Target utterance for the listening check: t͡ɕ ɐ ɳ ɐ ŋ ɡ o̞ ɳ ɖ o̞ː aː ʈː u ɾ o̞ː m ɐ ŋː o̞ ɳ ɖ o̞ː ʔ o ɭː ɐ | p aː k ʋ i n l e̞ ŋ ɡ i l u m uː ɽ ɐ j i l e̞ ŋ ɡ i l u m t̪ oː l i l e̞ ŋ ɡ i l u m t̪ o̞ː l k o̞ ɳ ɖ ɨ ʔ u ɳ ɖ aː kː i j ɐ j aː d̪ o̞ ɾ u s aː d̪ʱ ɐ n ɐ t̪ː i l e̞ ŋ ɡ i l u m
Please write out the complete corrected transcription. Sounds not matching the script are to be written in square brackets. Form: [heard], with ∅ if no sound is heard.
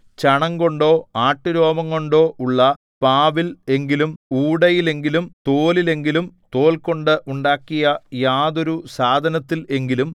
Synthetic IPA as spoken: t͡ɕ ɐ ɳ ɐ ŋ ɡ o̞ ɳ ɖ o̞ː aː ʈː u ɾ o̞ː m ɐ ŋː o̞ ɳ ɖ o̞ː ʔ [u] ɭː ɐ | p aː [∅] ʋ i [∅] l e̞ ŋ ɡ i l u m uː ɽ ɐ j i l e̞ ŋ ɡ i l u m t̪ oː l i l e̞ ŋ ɡ i l u m t̪ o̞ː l k o̞ ɳ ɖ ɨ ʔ u ɳ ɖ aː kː i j ɐ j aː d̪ o̞ ɾ u s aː d̪ʱ ɐ n ɐ t̪ː i l e̞ ŋ ɡ i l u m